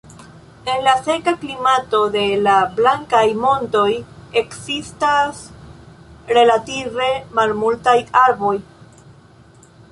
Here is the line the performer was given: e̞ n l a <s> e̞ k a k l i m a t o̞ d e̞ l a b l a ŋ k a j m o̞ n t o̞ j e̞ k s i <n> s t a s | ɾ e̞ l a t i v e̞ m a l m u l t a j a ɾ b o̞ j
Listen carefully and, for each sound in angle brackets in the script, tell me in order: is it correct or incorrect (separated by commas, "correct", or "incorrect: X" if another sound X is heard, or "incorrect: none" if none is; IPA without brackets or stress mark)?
correct, incorrect: none